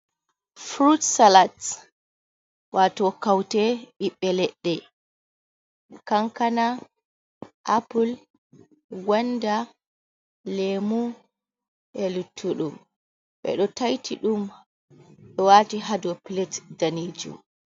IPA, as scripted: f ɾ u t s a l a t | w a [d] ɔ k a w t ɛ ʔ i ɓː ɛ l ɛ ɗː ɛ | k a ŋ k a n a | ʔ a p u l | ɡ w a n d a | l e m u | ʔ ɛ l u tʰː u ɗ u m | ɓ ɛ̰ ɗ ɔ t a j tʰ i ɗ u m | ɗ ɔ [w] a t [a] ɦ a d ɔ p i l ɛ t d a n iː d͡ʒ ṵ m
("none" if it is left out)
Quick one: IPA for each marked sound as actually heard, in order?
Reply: t, w, i

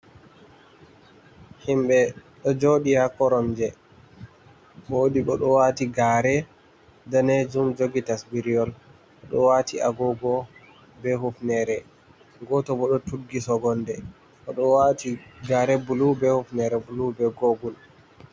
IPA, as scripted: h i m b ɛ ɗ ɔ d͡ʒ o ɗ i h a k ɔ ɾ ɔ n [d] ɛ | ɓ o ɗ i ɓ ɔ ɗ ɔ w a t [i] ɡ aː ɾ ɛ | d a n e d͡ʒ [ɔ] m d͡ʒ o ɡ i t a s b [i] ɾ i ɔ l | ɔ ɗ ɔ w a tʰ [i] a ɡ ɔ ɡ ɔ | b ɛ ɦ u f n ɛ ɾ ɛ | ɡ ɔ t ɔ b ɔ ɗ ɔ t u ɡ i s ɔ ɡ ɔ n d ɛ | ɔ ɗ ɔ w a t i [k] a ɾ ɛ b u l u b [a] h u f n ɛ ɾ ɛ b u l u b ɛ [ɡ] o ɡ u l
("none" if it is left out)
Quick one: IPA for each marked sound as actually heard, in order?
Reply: d͡ʒ, i, u, i, i, ɡ, ɛ, ɡ

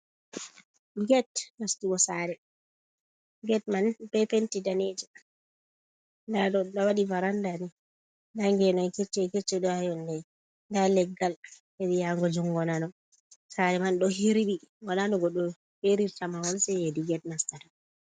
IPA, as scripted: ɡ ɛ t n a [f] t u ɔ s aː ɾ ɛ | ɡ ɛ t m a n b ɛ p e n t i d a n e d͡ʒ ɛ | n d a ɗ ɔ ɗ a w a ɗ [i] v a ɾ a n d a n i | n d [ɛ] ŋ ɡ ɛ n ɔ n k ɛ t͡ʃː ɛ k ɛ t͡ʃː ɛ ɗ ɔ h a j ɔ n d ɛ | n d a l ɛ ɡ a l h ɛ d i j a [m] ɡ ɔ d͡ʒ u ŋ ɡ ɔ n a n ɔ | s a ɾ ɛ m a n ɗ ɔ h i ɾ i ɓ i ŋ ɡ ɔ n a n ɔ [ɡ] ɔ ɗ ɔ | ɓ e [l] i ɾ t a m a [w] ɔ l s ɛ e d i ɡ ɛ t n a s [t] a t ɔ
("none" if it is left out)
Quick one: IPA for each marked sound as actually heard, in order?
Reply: s, i, a, ŋ, ɡ, ɾ, w, t

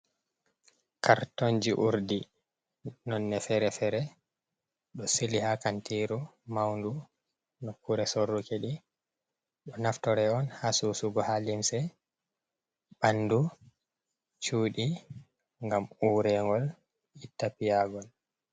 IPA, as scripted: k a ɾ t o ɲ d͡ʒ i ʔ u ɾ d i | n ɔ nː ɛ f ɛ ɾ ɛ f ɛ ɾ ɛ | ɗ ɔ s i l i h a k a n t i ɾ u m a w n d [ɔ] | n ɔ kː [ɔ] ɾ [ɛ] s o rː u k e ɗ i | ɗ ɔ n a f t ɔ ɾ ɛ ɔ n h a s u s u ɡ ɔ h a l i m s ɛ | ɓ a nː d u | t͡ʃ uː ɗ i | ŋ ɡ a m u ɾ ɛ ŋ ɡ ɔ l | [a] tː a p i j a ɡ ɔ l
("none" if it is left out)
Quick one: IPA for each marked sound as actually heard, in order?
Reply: u, u, ɛ, i

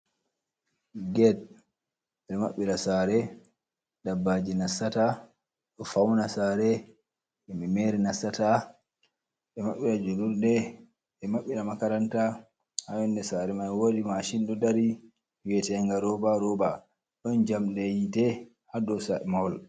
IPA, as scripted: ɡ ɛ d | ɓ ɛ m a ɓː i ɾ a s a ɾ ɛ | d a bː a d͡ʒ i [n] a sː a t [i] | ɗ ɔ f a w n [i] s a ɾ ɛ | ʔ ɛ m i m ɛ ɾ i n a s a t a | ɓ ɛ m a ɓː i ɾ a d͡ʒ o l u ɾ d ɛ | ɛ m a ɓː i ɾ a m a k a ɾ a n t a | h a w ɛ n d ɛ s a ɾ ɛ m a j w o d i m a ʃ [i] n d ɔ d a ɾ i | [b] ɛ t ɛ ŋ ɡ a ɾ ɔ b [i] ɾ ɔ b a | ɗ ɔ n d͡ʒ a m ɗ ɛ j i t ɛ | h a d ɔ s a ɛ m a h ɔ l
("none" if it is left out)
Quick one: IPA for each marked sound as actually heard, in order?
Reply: n, a, a, i, w, a

